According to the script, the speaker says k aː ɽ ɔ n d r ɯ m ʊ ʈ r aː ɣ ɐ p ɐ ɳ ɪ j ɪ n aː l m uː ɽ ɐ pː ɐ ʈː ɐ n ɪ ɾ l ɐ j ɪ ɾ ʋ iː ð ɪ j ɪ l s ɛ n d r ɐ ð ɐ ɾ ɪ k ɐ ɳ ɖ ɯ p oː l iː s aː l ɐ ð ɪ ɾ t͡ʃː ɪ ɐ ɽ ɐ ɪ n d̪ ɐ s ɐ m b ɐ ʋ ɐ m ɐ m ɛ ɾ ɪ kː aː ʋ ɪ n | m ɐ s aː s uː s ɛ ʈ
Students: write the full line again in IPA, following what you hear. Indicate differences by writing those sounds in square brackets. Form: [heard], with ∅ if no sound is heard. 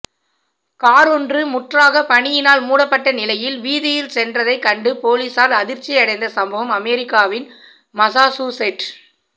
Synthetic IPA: k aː [ɾ] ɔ n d r ɯ m ʊ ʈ r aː ɣ ɐ p ɐ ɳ ɪ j ɪ n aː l m uː ɽ ɐ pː ɐ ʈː ɐ n ɪ [∅] l ɐ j ɪ [l] ʋ iː ð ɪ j ɪ l s ɛ n d r ɐ ð ɐ [∅] ɪ k ɐ ɳ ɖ ɯ p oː l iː s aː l ɐ ð ɪ ɾ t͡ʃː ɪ ɐ ɽ ɐ ɪ n d̪ ɐ s ɐ m b ɐ ʋ ɐ m ɐ m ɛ ɾ ɪ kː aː ʋ ɪ n | m ɐ s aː s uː s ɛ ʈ